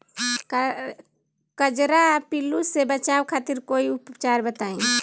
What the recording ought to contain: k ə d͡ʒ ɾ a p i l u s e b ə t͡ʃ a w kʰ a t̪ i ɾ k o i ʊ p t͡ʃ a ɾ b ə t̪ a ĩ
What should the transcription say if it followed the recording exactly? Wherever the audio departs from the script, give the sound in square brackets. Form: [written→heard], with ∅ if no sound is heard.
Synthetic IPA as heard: k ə d͡ʒ ɾ a p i l u s e b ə t͡ʃ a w kʰ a t̪ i ɾ k o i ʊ p t͡ʃ a ɾ b ə t̪ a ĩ